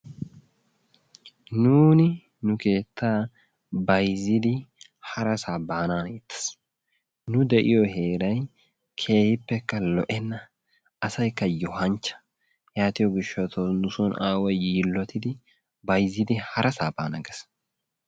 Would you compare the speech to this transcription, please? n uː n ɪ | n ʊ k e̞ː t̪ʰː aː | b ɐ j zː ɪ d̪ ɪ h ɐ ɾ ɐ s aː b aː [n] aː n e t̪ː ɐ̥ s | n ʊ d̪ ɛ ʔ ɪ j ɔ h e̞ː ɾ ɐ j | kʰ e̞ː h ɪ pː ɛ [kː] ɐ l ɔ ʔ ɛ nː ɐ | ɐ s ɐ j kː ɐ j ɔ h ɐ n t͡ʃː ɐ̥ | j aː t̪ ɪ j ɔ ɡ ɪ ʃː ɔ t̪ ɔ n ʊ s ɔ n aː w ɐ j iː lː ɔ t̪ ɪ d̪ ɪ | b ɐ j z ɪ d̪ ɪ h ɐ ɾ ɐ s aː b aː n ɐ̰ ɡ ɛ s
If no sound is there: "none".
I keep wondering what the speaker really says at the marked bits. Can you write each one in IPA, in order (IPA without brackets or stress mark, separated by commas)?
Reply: n, kː